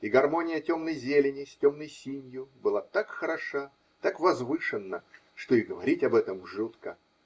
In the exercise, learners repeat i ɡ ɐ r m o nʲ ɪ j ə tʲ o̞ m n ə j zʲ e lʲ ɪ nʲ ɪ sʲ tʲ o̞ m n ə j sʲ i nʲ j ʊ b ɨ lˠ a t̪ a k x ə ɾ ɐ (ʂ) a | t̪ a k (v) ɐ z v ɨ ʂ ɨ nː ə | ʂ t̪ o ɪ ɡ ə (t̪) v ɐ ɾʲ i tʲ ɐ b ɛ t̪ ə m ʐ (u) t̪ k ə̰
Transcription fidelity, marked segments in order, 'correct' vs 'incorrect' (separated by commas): correct, correct, incorrect, correct